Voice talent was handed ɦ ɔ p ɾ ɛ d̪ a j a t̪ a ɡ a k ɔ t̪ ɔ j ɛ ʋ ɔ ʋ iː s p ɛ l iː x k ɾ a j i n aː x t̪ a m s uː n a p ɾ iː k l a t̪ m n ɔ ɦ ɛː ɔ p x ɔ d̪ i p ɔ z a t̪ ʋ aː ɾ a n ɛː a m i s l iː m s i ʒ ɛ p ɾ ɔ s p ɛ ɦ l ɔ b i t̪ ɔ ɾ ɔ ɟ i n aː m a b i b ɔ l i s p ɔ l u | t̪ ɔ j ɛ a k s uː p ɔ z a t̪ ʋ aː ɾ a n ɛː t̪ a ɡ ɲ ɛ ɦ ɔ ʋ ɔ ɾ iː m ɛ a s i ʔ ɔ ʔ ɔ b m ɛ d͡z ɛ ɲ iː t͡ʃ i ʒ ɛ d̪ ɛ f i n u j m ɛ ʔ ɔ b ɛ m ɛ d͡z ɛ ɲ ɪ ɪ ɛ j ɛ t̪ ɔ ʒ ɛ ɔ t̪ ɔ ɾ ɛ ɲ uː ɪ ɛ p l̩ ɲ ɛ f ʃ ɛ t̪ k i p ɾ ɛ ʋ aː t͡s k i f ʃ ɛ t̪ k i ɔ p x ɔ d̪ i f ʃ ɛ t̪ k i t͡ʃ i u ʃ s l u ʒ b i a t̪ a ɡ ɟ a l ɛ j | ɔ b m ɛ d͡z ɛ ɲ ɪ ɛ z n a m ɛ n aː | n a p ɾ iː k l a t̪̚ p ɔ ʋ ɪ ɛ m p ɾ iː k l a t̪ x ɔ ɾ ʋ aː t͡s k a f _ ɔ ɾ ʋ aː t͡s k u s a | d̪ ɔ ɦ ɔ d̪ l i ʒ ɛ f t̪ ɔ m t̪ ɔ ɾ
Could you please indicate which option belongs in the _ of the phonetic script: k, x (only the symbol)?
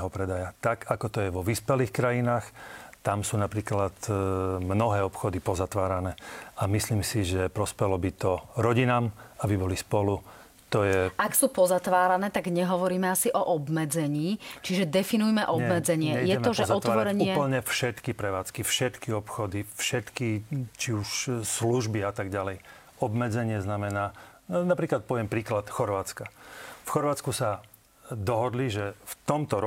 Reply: x